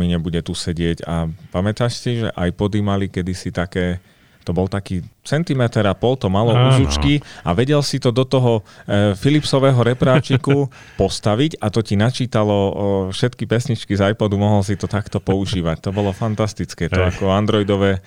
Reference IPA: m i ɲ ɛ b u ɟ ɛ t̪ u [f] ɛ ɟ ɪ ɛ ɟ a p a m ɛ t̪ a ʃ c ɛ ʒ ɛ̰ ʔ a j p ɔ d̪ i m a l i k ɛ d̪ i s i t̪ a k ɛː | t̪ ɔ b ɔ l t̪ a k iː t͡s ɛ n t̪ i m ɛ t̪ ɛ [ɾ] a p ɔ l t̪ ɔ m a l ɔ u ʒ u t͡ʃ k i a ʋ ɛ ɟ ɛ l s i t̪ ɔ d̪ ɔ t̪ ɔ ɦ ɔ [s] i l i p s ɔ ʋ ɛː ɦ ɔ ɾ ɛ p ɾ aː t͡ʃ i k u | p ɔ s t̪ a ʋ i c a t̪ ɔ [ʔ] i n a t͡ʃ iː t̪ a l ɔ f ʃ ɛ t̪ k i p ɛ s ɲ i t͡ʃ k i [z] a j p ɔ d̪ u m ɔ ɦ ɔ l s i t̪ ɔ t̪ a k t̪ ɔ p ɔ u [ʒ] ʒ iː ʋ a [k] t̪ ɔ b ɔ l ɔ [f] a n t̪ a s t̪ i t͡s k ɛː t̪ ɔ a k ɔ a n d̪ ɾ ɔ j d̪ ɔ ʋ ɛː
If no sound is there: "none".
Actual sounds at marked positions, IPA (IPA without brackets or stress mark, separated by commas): s, ɾ, f, c, z, ʒ, c, f